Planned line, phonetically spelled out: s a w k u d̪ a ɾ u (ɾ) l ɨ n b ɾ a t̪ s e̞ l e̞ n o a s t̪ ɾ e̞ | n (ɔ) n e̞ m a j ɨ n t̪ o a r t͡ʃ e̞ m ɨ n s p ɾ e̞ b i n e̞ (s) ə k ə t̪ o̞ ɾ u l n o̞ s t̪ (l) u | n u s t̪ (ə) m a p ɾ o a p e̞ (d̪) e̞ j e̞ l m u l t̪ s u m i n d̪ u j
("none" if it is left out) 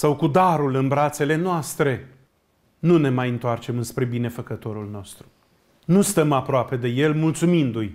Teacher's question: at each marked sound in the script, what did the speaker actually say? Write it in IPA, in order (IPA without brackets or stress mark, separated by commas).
none, u, f, ɾ, ə, d̪